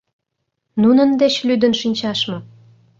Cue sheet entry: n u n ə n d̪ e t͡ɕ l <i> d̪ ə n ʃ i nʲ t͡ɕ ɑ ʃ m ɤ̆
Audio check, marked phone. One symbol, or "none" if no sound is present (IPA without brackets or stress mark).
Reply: y